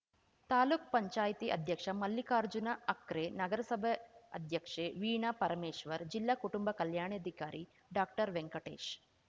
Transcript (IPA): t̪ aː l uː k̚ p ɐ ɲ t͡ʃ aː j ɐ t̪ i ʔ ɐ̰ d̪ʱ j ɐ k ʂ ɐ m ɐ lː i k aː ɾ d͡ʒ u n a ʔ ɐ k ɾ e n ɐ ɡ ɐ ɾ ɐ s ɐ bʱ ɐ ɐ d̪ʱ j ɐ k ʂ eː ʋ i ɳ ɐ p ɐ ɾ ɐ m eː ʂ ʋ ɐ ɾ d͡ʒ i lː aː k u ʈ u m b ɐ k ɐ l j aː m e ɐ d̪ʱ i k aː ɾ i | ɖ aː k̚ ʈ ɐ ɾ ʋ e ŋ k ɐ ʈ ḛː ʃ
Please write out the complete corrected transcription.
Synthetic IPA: t̪ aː l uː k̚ p ɐ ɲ t͡ʃ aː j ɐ t̪ i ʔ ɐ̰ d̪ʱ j ɐ k ʂ ɐ m ɐ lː i k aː ɾ d͡ʒ u n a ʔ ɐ k ɾ e n ɐ ɡ ɐ ɾ ɐ s ɐ bʱ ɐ ɐ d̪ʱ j ɐ k ʂ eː ʋ iː ɳ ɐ p ɐ ɾ ɐ m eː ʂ ʋ ɐ ɾ d͡ʒ i lː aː k u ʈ u m b ɐ k ɐ l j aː ɳ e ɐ d̪ʱ i k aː ɾ i | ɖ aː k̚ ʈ ɐ ɾ ʋ e ŋ k ɐ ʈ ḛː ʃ